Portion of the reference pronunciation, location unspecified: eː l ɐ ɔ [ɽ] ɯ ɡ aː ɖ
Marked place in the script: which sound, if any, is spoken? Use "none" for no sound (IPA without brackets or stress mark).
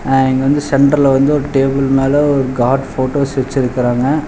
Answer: ɾ